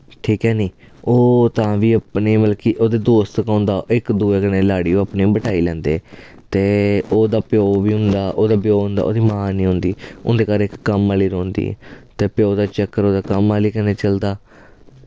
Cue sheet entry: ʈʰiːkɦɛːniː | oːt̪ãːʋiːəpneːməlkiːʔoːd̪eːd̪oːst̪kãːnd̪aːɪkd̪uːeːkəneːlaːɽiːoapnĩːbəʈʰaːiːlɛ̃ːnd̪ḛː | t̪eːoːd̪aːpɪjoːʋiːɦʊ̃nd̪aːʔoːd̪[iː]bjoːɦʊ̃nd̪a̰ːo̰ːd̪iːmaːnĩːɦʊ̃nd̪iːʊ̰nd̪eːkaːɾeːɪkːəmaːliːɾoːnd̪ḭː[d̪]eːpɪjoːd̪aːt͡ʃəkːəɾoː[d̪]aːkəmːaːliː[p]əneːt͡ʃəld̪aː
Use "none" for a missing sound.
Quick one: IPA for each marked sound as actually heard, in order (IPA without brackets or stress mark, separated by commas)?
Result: aː, t̪, d̪, k